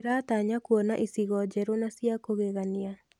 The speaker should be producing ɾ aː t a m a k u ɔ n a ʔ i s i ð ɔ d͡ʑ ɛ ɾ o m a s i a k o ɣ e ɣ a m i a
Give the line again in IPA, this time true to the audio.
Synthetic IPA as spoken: ɾ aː t a ɲ a k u ɔ n a ʔ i s i ɣ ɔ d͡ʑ ɛ ɾ o n a s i a k o ɣ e ɣ a n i a